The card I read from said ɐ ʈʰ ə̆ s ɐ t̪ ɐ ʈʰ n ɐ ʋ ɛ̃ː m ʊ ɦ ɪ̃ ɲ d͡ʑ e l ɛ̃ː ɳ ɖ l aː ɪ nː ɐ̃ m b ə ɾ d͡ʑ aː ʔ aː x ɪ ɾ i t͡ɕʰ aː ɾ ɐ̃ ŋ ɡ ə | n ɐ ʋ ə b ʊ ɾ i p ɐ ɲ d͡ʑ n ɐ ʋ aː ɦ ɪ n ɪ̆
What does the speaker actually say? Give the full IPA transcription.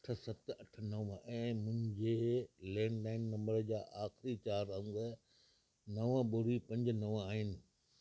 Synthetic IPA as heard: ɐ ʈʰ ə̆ s ɐ t̪ ɐ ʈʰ n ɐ ʋ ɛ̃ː m ʊ̃ ɦ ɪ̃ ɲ d͡ʑ e l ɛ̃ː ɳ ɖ l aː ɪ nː ɐ̃ m b ə ɾ d͡ʑ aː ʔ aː x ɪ ɾ i t͡ɕ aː ɾ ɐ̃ ŋ ɡ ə | n ɐ ʋ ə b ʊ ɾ i p ɐ̃ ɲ d͡ʑ n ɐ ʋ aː ɦ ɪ n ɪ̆